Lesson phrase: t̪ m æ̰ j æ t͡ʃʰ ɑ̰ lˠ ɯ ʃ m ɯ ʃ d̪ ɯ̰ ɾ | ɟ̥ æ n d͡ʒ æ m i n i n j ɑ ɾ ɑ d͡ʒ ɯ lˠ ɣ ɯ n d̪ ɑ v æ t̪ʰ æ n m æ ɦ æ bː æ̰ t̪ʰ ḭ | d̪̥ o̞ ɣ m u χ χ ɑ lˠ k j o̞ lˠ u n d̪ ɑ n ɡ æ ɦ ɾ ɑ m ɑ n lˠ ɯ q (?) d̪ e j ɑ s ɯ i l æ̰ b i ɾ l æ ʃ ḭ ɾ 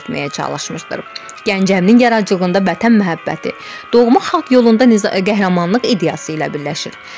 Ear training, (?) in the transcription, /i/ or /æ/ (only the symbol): i